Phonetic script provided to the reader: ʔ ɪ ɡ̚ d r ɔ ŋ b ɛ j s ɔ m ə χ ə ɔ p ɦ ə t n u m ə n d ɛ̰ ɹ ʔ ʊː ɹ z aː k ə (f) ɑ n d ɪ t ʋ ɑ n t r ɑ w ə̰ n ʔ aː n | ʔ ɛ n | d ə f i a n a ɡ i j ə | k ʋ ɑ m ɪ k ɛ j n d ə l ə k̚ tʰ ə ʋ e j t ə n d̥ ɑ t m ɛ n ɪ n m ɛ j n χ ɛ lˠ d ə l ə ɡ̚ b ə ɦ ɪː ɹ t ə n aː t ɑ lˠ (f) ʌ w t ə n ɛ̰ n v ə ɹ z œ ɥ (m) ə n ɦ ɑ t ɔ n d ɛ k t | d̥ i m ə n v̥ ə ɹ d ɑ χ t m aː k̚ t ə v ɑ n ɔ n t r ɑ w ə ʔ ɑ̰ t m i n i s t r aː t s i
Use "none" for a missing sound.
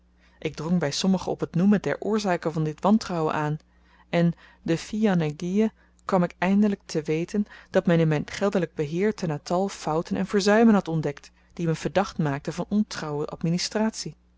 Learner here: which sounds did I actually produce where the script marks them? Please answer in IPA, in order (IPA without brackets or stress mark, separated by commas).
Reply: v, f, m